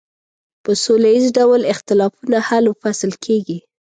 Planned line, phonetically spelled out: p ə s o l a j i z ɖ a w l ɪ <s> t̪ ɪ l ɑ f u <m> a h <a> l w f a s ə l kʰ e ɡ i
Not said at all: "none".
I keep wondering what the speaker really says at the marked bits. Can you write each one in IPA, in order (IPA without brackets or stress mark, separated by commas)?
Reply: x, n, a